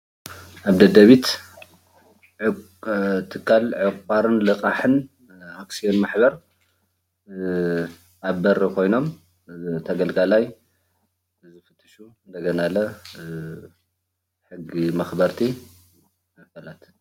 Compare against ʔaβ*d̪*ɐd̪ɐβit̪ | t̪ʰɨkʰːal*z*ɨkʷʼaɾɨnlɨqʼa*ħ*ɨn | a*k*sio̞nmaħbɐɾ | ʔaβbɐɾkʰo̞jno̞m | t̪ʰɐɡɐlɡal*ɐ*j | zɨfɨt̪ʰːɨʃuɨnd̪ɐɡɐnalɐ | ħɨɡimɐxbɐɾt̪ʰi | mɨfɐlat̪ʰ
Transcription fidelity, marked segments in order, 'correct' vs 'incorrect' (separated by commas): correct, incorrect, correct, correct, incorrect